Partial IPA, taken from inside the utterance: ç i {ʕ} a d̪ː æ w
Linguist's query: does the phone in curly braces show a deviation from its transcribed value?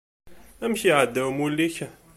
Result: no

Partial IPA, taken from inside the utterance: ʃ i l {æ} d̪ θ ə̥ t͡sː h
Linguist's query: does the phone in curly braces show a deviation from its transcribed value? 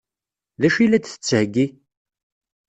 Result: no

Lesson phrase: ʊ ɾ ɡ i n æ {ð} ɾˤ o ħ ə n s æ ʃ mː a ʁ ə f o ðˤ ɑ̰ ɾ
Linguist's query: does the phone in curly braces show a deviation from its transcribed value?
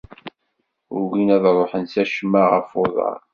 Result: no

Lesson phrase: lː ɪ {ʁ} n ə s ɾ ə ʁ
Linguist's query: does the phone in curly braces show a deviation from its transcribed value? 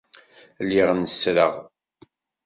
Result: no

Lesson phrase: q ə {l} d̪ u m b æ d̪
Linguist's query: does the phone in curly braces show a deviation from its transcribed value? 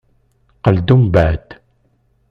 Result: no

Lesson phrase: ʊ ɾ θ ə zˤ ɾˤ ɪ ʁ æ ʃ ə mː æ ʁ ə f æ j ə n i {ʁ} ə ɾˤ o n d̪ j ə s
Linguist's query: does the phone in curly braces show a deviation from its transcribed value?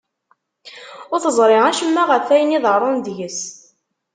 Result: yes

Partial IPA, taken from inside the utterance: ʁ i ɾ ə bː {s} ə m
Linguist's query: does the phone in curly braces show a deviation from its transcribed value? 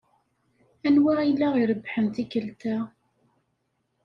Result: yes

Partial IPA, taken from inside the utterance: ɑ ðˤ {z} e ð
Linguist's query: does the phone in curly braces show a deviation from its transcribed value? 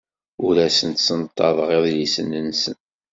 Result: yes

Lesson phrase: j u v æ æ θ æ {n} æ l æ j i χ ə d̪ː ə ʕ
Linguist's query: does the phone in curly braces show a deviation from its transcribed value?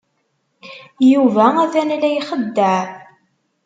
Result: no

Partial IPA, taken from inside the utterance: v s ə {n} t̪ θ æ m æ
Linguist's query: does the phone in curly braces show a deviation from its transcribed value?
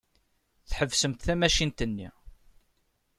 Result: yes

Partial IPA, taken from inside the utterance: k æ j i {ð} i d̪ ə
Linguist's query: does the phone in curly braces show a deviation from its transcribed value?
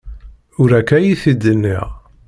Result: yes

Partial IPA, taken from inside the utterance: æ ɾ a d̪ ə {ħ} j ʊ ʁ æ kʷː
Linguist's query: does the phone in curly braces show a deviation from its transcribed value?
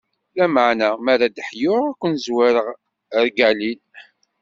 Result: no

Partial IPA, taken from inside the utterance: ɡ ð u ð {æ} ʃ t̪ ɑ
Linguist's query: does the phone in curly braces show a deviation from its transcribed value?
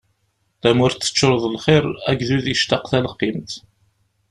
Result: yes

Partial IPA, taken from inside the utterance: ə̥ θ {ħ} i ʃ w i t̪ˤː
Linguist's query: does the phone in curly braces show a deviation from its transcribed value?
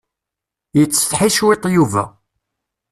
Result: no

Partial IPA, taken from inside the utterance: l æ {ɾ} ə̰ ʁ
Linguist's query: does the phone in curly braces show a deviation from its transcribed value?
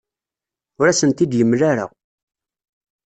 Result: no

